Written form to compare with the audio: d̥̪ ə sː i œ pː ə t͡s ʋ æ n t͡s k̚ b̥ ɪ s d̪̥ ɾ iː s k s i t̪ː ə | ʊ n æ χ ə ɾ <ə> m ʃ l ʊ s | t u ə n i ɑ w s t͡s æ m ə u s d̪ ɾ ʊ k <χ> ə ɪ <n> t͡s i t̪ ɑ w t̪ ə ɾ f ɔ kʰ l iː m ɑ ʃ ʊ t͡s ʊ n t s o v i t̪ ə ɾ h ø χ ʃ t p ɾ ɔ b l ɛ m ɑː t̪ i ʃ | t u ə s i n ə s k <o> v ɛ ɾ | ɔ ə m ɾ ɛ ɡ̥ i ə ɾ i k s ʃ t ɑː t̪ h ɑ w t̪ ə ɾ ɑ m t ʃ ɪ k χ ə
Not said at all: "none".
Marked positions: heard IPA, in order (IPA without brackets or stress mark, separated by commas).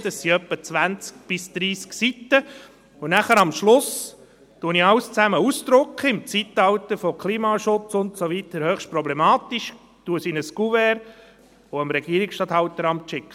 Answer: ɑ, χ, m, u